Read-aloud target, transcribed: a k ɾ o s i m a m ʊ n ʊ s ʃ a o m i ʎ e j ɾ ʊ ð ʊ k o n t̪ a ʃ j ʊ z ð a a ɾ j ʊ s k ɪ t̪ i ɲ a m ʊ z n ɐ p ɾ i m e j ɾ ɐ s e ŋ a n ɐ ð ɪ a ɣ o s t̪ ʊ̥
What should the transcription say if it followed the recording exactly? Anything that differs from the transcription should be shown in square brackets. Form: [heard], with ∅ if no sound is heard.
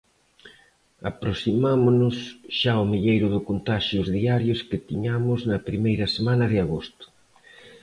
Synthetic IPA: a [p] ɾ o s i m a m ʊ n ʊ s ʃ a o m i ʎ e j ɾ ʊ ð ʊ k o n t̪ a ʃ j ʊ z ð [i] a ɾ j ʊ s k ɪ t̪ i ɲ a m ʊ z n ɐ p ɾ i m e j ɾ ɐ s e [m] a n ɐ ð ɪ a ɣ o s t̪ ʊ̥